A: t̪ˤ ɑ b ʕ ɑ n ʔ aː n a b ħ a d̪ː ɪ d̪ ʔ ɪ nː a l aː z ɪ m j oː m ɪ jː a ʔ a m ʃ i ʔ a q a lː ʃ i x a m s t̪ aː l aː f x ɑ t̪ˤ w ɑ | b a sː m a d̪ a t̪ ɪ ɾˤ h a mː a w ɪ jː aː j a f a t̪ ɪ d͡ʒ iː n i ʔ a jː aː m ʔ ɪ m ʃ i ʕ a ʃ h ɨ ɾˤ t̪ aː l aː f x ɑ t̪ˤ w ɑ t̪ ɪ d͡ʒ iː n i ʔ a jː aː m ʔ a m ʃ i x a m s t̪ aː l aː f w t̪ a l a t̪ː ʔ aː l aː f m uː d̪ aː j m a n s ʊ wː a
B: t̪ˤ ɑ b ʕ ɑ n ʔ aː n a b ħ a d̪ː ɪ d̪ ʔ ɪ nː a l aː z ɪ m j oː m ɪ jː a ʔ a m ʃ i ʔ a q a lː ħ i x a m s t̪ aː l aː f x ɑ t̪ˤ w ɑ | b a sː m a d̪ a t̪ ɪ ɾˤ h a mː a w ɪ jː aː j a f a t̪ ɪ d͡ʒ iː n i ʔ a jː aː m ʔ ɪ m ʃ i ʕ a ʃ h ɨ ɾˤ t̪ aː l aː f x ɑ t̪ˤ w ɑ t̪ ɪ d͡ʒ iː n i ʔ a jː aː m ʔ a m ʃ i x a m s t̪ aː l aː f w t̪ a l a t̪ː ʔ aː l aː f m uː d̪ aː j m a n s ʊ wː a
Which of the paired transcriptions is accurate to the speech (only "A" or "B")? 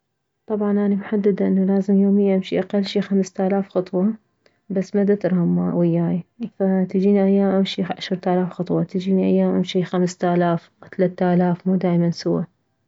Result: A